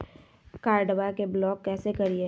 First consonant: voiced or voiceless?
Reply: voiceless